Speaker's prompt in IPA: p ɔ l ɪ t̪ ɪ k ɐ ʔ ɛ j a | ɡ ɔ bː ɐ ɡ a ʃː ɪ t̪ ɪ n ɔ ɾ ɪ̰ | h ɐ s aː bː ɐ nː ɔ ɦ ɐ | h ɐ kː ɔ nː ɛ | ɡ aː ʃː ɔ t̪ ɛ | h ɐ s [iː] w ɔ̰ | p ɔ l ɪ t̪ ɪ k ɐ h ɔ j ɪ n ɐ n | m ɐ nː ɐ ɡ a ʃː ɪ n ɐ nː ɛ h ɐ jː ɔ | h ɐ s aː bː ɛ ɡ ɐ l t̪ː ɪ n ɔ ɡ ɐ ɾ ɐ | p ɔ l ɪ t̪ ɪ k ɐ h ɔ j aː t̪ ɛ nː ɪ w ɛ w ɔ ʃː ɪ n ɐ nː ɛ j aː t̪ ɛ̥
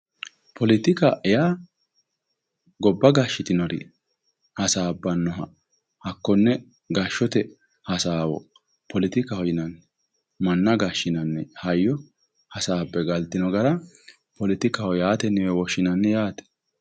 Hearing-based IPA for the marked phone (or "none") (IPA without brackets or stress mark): aː